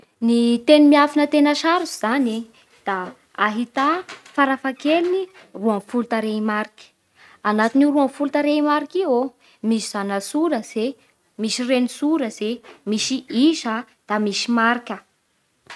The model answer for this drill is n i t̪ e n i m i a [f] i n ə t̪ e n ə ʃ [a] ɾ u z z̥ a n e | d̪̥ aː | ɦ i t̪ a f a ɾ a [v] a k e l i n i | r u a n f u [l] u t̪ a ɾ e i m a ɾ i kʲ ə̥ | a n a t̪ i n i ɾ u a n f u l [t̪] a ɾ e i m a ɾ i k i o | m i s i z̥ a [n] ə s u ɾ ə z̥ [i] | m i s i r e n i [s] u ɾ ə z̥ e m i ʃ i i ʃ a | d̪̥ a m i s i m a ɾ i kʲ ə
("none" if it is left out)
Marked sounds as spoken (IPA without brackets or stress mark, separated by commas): f, a, f, l, t̪, n, e, s